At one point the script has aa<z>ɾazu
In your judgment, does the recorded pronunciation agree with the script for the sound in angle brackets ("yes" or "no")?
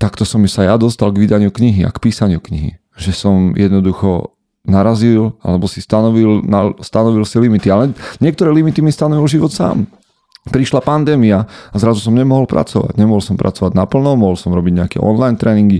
yes